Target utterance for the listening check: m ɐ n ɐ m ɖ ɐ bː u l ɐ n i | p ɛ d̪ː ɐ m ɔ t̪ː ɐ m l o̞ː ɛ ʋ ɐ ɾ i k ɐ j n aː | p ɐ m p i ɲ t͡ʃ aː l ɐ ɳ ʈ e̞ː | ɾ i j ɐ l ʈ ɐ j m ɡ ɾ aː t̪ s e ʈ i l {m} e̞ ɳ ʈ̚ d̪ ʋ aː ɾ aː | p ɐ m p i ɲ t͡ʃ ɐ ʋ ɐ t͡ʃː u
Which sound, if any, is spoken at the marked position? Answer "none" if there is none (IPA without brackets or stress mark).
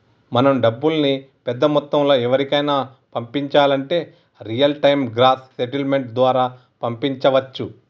m